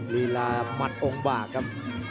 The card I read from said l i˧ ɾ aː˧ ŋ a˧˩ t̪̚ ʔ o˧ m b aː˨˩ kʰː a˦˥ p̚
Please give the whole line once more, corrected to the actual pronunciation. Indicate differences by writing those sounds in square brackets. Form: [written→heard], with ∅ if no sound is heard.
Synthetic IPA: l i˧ [ɾ→l] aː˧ [ŋ→m] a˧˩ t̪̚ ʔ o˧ [m→ŋ] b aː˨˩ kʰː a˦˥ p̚